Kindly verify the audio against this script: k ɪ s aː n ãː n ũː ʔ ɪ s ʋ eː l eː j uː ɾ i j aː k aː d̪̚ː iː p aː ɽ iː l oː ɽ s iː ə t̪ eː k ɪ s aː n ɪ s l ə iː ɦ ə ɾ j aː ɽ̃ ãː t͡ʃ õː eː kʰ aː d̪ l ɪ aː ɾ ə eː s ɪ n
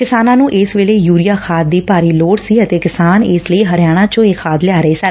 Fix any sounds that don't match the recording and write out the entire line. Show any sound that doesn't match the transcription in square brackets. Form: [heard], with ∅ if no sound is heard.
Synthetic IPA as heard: k ɪ s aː n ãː n ũː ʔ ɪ s ʋ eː l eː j uː ɾ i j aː [kʰ] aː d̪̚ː iː p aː [ɾ] iː l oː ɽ s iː ə t̪ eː k ɪ s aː n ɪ s l ə iː ɦ ə ɾ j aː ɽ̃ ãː t͡ʃ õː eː kʰ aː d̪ l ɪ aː ɾ ə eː s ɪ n